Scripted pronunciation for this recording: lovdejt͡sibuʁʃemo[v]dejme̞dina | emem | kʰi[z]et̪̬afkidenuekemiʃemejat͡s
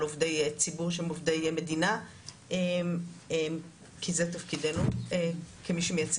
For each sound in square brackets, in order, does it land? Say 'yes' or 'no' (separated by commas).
yes, yes